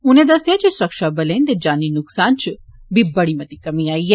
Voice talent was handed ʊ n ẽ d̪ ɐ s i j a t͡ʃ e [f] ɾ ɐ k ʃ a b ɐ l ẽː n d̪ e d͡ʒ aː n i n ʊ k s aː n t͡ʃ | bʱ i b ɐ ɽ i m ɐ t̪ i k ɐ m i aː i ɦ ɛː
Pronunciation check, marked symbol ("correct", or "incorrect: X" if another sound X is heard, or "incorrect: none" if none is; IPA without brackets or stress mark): incorrect: s